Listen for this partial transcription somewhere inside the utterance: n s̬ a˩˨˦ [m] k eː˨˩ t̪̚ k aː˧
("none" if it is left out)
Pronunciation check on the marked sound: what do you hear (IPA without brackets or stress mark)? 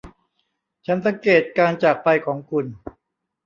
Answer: ŋ